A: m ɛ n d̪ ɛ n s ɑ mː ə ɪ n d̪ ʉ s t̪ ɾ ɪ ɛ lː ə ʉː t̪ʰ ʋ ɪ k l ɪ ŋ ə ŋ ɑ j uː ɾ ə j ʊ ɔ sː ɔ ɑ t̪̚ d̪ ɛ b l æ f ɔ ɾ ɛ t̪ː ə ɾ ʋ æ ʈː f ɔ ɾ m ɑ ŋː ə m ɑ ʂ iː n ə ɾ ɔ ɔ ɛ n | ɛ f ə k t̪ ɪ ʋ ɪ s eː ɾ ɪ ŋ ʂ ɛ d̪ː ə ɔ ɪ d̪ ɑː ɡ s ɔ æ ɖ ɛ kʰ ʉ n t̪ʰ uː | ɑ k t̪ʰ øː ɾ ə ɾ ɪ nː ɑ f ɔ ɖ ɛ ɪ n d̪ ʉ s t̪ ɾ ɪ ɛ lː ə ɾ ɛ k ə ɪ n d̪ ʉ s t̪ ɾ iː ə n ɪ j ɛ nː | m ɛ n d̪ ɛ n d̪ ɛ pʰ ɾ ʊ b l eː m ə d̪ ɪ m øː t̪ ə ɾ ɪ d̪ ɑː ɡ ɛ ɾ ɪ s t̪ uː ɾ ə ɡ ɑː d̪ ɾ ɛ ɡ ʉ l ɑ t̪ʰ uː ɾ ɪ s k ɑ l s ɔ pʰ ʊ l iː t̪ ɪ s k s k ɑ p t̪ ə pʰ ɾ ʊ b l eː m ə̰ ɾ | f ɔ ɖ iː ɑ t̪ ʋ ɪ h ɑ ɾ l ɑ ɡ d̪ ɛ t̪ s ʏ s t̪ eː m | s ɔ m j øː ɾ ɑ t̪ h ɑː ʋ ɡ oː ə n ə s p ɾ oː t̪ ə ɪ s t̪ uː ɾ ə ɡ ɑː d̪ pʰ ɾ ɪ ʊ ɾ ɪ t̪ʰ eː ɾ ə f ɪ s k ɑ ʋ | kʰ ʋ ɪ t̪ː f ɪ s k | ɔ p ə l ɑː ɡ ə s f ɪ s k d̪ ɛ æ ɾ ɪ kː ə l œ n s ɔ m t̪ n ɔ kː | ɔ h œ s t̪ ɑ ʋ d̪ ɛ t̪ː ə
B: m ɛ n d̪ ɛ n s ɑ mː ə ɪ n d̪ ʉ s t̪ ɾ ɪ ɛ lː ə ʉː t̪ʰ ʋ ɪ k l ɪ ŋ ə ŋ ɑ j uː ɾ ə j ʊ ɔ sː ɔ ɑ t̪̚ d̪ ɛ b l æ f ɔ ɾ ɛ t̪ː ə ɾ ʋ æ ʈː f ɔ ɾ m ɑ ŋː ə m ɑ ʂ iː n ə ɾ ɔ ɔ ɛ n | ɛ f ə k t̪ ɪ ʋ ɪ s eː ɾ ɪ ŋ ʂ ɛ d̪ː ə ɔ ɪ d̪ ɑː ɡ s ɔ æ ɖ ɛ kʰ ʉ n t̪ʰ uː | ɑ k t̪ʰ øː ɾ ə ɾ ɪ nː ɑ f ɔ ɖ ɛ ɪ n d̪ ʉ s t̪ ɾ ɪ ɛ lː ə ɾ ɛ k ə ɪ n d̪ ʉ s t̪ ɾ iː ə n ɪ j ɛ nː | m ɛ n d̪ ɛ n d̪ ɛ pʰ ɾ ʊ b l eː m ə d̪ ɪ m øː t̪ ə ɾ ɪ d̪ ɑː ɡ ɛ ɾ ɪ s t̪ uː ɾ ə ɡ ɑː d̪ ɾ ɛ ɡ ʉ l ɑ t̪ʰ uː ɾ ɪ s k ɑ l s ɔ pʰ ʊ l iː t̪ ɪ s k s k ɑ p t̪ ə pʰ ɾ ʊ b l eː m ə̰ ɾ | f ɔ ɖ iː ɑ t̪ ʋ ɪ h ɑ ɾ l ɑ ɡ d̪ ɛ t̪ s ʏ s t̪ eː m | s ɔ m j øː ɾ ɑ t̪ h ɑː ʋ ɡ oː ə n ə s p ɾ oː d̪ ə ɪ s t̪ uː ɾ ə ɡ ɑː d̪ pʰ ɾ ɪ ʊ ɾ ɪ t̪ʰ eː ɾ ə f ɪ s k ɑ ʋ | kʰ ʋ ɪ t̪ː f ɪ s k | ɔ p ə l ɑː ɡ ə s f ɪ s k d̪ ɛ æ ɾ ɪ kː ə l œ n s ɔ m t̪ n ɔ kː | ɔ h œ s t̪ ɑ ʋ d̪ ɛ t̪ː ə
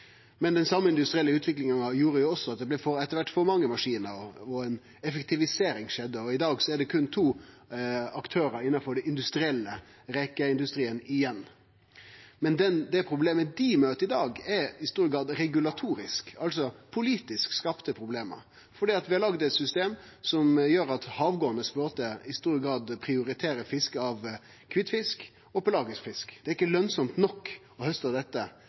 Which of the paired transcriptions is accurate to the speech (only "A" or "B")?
A